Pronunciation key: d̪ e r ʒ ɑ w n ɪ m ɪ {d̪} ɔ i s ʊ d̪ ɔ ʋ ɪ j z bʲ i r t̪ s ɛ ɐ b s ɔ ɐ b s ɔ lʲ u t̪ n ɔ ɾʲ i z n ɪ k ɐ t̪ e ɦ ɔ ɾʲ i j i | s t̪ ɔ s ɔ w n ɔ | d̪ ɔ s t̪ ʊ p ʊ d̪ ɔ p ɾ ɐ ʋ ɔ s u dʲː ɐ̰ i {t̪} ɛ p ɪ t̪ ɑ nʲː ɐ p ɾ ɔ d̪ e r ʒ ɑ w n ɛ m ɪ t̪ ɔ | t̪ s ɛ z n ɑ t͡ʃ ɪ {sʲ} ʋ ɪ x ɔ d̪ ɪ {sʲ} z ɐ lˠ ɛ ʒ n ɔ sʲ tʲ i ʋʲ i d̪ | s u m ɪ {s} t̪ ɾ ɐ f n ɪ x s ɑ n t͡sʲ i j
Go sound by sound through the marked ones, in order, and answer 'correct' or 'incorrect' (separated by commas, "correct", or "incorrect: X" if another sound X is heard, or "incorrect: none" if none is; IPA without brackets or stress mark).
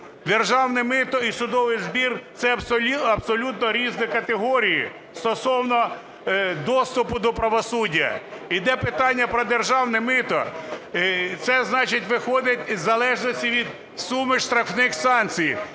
incorrect: t̪, incorrect: d̪, incorrect: tʲ, incorrect: tʲ, incorrect: ʃ